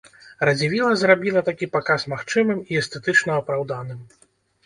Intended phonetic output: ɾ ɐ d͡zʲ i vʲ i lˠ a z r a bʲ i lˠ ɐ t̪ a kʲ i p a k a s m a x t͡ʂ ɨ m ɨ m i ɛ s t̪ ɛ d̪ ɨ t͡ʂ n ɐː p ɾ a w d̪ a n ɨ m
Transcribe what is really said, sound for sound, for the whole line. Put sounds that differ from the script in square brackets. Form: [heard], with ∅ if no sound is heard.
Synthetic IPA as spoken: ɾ ɐ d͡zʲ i vʲ i lˠ [ɐ] z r a bʲ i lˠ ɐ t̪ a kʲ i p a k a s m a x t͡ʂ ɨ m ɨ m i ɛ s t̪ ɛ [t̪] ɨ t͡ʂ n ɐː p ɾ a w d̪ a n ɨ m